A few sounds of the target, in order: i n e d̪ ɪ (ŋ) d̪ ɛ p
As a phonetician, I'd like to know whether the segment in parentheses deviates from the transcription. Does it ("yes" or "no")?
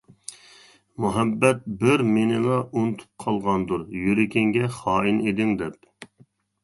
no